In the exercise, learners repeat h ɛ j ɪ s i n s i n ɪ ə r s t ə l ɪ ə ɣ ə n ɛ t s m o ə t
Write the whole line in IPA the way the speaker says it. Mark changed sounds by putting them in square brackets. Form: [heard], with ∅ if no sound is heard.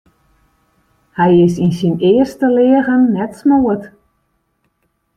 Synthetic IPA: h ɛ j ɪ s i n s i n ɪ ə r s t ə l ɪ ə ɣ ə [nː] ɛ t s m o ə t